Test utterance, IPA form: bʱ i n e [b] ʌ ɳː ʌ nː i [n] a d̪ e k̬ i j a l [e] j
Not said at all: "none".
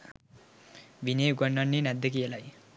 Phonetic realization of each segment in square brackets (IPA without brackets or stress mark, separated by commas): ɡ, n, a